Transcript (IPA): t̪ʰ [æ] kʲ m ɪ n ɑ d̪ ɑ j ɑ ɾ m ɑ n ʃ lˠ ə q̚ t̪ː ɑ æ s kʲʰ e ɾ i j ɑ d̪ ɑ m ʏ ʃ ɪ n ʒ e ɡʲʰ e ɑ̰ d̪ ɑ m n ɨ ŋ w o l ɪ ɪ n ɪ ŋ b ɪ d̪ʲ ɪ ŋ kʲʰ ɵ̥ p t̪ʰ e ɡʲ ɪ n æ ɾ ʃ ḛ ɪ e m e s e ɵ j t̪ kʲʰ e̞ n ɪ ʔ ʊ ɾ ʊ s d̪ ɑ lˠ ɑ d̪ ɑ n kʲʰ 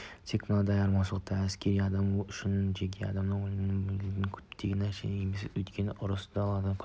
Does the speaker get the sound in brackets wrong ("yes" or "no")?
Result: yes